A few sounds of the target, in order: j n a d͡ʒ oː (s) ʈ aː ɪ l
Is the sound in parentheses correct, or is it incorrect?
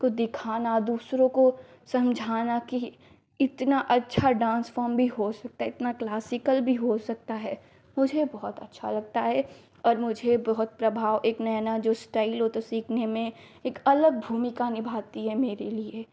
correct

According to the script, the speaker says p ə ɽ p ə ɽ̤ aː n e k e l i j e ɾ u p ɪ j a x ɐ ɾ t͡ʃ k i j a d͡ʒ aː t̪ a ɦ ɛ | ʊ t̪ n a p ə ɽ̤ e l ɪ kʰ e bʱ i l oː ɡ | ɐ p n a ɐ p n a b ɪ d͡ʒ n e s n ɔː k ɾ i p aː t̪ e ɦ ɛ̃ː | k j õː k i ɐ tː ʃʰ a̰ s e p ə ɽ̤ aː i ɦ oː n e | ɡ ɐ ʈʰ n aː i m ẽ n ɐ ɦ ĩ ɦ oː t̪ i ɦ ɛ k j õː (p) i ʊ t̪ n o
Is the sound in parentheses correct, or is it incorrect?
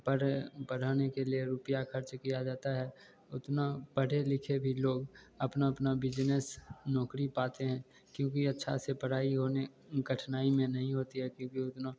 incorrect: k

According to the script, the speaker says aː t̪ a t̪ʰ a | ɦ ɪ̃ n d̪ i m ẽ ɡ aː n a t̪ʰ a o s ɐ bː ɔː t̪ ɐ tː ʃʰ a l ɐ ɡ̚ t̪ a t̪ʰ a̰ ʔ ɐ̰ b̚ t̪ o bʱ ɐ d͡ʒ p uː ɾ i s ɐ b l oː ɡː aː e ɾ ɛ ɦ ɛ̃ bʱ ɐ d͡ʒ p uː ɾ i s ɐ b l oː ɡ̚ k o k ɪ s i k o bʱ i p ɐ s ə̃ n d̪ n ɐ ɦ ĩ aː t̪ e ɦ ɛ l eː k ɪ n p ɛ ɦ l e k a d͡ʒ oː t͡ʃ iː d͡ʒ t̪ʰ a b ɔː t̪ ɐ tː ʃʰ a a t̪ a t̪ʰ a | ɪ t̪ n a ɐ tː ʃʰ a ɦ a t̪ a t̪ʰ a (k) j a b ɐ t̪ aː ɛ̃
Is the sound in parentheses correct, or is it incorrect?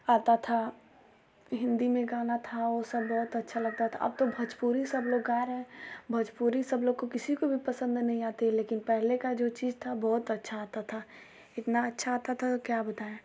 correct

